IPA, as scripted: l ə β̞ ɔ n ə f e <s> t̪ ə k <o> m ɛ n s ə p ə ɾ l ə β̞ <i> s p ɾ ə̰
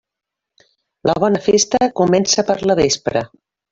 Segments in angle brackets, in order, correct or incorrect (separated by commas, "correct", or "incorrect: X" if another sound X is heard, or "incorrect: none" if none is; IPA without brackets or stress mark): correct, incorrect: u, incorrect: e